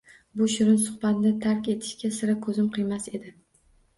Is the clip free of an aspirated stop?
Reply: no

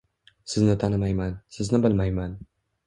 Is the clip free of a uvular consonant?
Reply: yes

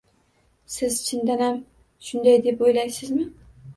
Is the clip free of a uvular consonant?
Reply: yes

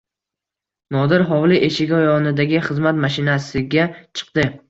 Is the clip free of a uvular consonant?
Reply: no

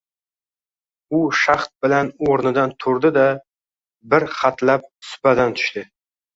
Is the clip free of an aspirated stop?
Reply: no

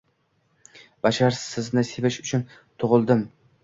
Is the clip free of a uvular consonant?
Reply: no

